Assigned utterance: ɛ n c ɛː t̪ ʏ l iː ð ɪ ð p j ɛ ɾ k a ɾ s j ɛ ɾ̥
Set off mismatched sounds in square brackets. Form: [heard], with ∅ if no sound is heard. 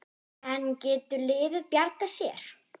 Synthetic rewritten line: ɛ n c ɛː t̪ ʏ l [ɪː] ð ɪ ð p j [a] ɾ k a [∅] s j ɛ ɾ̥